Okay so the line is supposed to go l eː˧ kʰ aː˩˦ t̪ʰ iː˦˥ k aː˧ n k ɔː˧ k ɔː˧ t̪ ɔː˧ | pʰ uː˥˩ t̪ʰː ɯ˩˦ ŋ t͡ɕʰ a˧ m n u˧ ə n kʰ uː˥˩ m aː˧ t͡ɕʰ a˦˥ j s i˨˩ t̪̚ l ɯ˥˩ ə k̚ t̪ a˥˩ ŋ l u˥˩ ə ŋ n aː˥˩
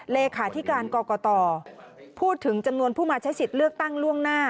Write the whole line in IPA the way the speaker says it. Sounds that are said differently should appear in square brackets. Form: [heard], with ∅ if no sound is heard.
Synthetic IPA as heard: l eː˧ kʰ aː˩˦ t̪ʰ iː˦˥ k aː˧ n k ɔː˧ k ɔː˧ t̪ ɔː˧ | pʰ uː˥˩ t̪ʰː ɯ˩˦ ŋ [t͡ɕ] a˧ m n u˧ ə n [pʰ] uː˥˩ m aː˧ t͡ɕʰ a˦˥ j s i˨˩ t̪̚ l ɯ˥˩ ə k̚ t̪ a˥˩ ŋ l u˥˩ ə ŋ n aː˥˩